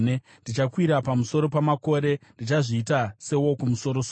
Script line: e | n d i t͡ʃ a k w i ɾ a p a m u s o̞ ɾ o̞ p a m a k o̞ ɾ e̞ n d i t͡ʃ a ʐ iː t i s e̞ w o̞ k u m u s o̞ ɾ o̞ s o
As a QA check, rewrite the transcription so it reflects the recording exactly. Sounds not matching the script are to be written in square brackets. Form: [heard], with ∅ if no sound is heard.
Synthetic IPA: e | n d i t͡ʃ a k w i ɾ a p a m u s o̞ ɾ o̞ p a m a k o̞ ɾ e̞ n d i t͡ʃ a ʐ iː t [a] s e̞ w o̞ k u m u s o̞ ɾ o̞ s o